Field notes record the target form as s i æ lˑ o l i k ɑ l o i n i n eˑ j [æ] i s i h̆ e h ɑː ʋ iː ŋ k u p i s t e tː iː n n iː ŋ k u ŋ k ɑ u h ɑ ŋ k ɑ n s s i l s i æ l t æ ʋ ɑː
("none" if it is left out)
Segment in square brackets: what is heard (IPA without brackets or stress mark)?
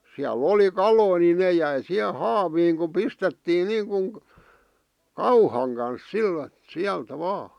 æ